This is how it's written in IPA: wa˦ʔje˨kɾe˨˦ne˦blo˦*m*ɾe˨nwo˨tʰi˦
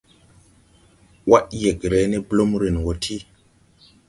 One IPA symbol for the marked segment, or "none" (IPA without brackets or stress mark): m